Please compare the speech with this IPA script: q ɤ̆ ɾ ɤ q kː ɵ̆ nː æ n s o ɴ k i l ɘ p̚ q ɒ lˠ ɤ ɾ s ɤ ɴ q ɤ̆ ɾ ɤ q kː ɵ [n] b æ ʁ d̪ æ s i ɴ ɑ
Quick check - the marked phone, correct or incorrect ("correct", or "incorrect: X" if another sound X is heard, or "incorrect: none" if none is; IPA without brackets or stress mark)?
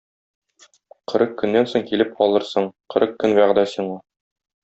correct